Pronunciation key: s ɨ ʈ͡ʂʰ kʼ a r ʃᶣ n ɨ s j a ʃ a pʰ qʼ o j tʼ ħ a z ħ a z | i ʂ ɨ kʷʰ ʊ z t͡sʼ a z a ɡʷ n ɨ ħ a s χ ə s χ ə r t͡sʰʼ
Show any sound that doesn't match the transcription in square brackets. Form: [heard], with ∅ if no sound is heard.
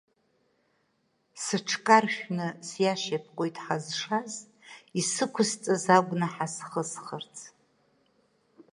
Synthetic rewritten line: s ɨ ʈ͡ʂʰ kʼ a r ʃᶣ n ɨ s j a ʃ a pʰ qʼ o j tʼ ħ a z [ʂ] a z | i [s] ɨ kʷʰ ʊ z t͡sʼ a z a ɡʷ n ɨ ħ a s χ ə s χ ə r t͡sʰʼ